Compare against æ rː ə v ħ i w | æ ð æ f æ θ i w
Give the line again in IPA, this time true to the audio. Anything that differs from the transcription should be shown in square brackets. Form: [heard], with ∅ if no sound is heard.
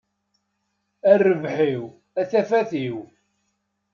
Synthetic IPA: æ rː ə v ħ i w | æ [θ] æ f æ θ i w